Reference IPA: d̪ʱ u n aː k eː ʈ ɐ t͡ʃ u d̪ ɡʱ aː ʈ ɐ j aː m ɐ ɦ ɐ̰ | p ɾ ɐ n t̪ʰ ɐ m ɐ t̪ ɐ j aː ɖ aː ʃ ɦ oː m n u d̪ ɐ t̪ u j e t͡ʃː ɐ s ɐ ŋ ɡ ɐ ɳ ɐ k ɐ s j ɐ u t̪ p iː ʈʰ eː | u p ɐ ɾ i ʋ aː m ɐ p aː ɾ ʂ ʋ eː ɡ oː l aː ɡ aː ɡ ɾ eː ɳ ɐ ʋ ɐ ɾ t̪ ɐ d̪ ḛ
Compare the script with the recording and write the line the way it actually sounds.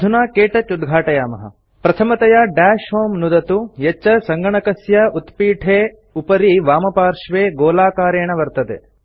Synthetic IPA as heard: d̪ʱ u n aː k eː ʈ ɐ t͡ʃ u d̪ ɡʱ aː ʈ ɐ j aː m ɐ ɦ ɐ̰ | p ɾ ɐ t̪ʰ ɐ m ɐ t̪ ɐ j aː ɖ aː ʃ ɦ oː m n u d̪ ɐ t̪ u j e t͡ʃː ɐ s ɐ ŋ ɡ ɐ ɳ ɐ k ɐ s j ɐ u t̪ p iː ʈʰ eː | u p ɐ ɾ i ʋ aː m ɐ p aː ɾ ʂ ʋ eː ɡ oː l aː k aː ɾ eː ɳ ɐ ʋ ɐ ɾ t̪ ɐ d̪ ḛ